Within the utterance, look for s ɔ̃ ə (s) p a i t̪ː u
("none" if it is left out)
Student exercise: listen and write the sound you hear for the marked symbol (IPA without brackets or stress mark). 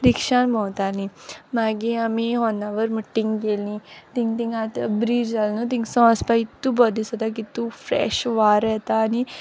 s